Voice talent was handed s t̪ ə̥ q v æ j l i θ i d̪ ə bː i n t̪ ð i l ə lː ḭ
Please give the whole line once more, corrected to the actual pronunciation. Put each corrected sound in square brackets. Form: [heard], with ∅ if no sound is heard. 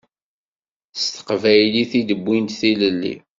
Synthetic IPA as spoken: s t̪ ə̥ q v æ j l i θ i d̪ ə bː i n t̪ [θ] i l ə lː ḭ